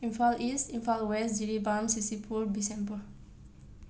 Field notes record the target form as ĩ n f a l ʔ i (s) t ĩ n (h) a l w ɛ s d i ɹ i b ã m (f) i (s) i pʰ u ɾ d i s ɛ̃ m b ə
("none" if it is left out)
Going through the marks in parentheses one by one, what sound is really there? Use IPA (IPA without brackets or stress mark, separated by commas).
s, f, s, s